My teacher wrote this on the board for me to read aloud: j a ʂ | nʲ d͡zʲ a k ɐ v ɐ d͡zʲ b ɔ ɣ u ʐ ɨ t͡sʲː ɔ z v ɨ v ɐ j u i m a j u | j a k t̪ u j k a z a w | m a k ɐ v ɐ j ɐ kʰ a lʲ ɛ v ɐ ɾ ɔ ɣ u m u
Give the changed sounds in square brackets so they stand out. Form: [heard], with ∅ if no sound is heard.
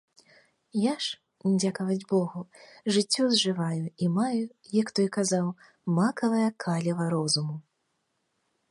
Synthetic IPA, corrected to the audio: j a ʂ | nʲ d͡zʲ a k ɐ v ɐ d͡zʲ b ɔ ɣ u ʐ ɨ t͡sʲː ɔ z [ʐ] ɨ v [a] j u i m a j u | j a k t̪ [ɔ] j k a z a w | m a k ɐ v ɐ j ɐ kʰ a lʲ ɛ v ɐ ɾ ɔ [z] u m u